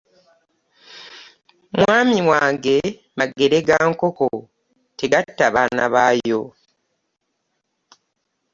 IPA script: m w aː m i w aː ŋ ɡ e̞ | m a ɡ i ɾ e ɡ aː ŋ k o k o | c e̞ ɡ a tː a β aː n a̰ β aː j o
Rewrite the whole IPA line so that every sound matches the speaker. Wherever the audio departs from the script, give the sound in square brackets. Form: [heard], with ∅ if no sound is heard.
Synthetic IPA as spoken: m w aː m i w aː ŋ ɡ e̞ | m a ɡ [e] ɾ e ɡ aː ŋ k o k o | [t] e̞ ɡ a tː a β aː n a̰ β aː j o